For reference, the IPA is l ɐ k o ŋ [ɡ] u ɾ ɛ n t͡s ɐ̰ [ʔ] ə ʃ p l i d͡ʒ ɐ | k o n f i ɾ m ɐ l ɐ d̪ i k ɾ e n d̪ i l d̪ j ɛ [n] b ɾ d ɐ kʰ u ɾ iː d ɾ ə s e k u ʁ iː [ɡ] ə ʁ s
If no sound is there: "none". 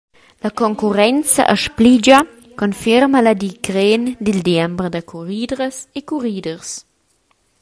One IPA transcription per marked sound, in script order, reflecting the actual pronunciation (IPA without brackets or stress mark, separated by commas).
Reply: k, ʔ, m, d